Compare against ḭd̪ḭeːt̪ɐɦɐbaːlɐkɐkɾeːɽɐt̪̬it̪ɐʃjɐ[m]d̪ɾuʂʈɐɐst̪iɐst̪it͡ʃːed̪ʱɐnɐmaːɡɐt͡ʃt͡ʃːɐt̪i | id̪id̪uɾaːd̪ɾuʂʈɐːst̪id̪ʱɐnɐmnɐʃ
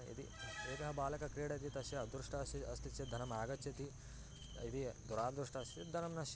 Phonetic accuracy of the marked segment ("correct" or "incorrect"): incorrect